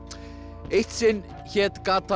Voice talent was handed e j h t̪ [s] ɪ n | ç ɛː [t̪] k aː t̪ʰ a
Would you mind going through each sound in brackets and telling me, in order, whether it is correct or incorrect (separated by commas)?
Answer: correct, correct